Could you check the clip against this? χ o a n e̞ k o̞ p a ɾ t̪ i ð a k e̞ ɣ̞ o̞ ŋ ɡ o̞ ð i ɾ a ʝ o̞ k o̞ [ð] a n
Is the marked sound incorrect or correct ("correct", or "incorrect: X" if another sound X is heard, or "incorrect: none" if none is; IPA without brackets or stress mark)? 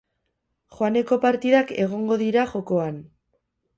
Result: incorrect: none